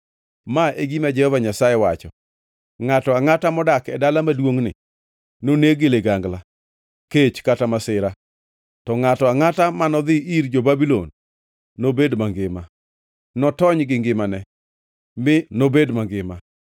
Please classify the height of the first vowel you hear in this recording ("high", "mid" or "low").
low